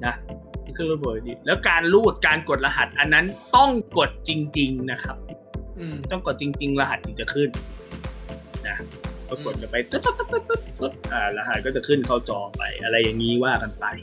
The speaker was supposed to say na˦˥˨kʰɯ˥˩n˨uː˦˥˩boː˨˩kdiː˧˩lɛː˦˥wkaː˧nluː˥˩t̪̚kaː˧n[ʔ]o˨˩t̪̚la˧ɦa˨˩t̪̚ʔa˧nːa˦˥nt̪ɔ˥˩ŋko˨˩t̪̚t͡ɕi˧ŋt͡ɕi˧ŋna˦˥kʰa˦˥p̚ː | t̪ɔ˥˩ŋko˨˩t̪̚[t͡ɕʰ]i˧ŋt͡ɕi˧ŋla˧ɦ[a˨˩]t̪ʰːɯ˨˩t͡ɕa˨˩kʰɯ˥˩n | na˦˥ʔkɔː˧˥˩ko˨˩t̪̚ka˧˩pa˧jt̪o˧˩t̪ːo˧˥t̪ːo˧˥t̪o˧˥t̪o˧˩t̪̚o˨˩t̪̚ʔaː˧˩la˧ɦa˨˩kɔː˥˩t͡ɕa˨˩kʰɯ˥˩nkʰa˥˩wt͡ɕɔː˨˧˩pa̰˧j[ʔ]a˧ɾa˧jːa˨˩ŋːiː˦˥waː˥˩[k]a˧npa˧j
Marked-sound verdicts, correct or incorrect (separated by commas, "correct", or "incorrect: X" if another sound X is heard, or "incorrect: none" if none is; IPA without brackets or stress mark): incorrect: k, incorrect: t͡ɕ, correct, correct, correct